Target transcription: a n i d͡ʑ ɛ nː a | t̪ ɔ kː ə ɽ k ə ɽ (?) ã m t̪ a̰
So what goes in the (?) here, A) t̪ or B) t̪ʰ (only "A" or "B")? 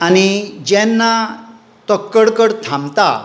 B